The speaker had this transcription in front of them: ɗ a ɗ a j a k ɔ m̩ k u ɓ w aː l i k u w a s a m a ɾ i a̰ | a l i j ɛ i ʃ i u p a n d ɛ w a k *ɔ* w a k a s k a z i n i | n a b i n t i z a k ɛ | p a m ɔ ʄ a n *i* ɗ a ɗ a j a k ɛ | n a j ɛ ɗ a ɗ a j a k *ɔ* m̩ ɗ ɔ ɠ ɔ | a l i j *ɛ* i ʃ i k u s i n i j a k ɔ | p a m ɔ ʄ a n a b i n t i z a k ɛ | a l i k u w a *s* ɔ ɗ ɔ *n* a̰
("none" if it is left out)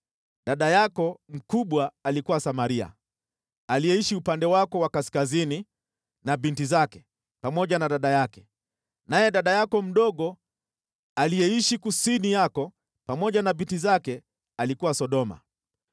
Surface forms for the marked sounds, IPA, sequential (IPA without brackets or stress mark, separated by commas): ɔ, a, ɔ, ɛ, s, m